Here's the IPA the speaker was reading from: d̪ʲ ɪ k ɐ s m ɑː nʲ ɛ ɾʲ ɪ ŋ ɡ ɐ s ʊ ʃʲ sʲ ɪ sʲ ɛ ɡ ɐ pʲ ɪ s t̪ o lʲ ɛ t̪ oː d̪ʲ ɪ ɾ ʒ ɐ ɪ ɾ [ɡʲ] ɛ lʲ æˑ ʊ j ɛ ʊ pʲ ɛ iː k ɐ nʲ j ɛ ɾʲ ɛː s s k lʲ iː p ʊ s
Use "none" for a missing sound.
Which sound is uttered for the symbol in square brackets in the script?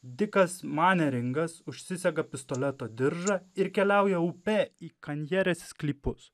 kʲ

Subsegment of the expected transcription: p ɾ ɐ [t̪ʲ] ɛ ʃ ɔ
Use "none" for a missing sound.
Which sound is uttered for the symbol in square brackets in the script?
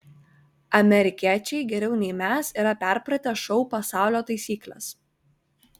t̪ʲ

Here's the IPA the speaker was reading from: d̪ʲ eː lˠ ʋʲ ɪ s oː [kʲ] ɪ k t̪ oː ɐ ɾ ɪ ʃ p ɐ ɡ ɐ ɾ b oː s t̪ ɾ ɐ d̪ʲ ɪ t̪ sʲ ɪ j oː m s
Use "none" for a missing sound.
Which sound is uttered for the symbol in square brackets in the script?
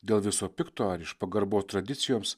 pʲ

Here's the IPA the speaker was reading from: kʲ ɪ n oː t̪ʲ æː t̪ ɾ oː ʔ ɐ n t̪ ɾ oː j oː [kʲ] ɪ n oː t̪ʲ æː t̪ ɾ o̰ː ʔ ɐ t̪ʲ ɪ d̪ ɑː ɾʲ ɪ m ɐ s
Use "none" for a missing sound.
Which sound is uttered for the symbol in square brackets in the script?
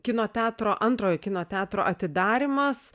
kʲ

